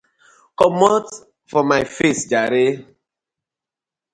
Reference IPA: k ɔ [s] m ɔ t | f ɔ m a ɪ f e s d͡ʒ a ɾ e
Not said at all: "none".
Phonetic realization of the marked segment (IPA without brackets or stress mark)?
none